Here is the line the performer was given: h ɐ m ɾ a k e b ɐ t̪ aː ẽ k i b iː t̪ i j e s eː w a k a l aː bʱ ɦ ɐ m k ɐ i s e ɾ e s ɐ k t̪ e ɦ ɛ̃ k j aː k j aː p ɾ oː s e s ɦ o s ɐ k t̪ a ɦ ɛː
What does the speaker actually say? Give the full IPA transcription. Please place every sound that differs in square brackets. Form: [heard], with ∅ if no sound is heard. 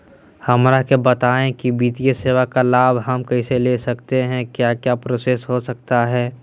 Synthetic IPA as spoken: h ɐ m ɾ a k e b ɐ t̪ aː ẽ k i b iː t̪ i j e s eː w a k a l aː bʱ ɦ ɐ m k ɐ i s e [l] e s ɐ k t̪ e ɦ ɛ̃ k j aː k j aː p ɾ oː s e s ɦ o s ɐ k t̪ a ɦ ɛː